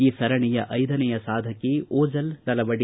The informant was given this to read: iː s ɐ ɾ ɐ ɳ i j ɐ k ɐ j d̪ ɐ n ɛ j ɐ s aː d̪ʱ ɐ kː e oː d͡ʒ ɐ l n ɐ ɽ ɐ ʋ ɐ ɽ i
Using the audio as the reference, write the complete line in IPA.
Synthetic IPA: iː s ɐ ɾ ɐ ɳ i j ɐ ʔ ɐ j d̪ ɐ n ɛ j ɐ s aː d̪ʱ ɐ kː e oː d͡ʒ ɐ l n ɐ l ɐ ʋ ɐ ɽ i